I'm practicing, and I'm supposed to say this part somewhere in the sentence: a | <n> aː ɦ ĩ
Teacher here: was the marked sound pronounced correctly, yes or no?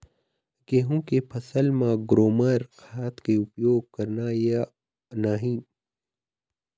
yes